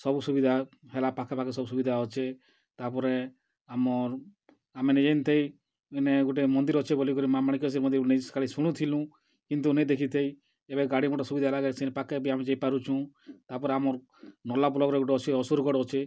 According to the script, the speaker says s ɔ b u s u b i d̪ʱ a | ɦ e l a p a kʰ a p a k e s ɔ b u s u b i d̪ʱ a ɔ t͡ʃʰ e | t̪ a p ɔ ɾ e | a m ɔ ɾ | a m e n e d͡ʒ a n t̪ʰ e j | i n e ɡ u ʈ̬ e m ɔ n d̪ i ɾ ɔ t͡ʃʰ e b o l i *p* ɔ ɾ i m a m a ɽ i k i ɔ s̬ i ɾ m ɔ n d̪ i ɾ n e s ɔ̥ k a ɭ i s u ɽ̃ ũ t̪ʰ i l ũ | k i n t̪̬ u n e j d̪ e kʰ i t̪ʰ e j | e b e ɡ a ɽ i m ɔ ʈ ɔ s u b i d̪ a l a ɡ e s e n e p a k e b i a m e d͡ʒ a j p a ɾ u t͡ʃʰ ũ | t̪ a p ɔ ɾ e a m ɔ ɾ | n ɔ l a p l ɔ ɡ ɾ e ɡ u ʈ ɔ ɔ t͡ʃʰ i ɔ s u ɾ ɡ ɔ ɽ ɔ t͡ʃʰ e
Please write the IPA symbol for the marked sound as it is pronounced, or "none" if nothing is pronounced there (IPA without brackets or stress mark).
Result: k